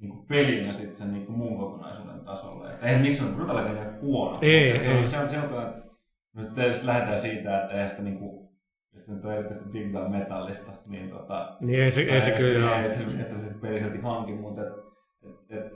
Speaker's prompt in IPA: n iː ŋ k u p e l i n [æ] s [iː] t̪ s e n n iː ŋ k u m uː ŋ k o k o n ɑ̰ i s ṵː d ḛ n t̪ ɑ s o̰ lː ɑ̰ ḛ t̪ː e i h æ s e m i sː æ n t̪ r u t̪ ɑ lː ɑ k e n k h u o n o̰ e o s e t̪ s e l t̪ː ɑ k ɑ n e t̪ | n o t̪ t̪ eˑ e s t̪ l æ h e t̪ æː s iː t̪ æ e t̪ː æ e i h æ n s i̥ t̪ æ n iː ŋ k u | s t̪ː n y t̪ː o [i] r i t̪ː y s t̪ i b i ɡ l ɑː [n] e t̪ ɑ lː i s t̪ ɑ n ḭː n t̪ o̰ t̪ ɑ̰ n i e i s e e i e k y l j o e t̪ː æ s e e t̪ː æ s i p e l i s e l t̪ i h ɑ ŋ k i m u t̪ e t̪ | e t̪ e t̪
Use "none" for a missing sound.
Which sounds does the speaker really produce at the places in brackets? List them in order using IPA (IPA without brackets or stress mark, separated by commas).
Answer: æ, i, e, m